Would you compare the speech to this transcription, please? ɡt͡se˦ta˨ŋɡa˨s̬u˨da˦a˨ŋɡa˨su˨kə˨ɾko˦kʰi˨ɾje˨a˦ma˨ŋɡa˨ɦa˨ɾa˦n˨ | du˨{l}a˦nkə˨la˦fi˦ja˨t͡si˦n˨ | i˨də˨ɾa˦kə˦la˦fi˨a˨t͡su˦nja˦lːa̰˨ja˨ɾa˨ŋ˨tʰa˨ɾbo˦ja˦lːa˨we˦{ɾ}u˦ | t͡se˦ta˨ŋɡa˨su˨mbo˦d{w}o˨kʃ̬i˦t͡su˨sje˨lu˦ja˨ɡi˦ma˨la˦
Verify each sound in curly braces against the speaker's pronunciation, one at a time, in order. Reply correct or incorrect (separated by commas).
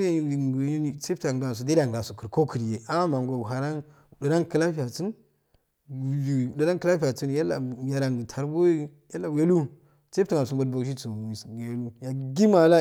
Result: incorrect, incorrect, incorrect